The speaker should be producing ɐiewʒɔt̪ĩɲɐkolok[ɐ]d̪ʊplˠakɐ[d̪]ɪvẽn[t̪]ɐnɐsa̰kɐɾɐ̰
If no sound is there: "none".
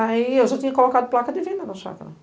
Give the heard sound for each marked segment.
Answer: a, d̪, d̪

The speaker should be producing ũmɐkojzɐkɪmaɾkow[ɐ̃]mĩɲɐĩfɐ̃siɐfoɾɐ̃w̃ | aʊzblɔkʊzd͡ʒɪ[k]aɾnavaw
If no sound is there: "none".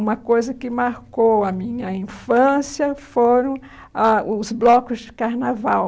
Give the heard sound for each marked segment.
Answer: ɐ, k

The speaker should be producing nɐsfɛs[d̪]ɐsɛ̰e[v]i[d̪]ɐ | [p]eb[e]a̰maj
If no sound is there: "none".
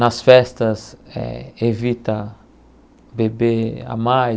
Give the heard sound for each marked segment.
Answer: t̪, v, t̪, b, e

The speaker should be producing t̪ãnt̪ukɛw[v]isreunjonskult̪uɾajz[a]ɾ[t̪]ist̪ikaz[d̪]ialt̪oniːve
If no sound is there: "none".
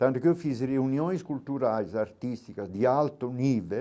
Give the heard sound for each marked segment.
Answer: f, a, t̪, d̪

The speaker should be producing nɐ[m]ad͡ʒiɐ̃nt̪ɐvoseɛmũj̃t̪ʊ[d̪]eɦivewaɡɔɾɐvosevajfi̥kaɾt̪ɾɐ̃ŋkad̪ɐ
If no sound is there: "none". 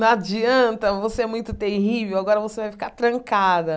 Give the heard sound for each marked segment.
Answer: none, t̪

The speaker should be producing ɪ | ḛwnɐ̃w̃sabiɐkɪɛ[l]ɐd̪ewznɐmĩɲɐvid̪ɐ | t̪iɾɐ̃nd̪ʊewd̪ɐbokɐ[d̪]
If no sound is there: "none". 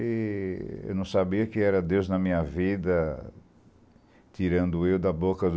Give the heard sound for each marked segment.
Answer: ɾ, d̪

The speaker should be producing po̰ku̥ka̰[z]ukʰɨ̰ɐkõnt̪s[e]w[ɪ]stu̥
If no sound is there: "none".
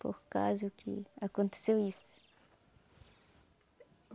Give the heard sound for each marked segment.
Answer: z, e, i

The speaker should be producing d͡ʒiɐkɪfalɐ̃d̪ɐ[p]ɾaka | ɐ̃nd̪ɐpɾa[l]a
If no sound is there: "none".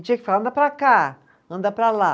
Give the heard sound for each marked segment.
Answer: p, l

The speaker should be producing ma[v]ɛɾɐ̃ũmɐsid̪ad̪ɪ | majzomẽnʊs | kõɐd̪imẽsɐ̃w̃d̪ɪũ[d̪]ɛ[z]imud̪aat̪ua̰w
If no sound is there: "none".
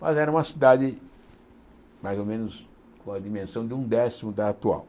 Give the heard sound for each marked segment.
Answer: z, d̪, s

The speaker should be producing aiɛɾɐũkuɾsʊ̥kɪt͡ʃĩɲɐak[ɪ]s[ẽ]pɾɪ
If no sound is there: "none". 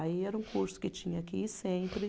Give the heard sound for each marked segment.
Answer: i, ẽ

